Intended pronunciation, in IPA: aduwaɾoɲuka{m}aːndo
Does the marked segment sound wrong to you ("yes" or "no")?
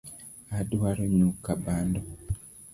yes